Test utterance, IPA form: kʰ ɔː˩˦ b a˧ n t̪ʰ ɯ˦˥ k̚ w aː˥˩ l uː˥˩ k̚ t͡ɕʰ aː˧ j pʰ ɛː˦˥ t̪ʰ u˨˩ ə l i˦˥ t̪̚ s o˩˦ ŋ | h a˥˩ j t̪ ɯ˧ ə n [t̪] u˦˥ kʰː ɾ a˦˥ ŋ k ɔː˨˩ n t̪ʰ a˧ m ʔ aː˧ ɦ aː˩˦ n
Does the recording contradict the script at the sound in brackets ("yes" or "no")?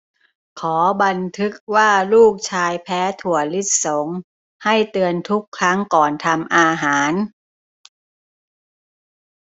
yes